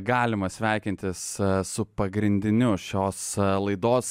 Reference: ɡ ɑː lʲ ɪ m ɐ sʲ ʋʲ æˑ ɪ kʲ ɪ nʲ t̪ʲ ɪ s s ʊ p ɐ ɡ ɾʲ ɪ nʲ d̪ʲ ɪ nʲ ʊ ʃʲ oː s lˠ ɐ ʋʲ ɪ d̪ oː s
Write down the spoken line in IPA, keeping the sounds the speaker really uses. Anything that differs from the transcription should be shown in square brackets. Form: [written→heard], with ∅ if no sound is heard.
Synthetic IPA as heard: ɡ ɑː lʲ ɪ m ɐ sʲ ʋʲ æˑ ɪ kʲ ɪ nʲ t̪ʲ ɪ s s ʊ p ɐ ɡ ɾʲ ɪ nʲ d̪ʲ ɪ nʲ ʊ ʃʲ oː s lˠ ɐ [ʋʲ→∅] ɪ d̪ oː s